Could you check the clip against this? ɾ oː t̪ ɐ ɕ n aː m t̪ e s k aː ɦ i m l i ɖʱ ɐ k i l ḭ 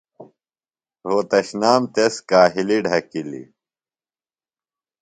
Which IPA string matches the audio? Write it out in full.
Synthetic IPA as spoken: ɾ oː t̪ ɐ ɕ n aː m t̪ e s k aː ɦ i l i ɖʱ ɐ k i l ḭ